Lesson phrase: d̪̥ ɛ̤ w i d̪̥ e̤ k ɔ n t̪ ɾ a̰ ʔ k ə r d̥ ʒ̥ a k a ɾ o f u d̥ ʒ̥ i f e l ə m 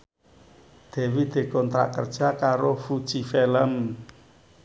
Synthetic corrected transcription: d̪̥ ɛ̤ w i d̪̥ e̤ k ɔ n t̪ ɾ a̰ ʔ k ə r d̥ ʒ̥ a k a ɾ o f u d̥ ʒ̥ i f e l ə m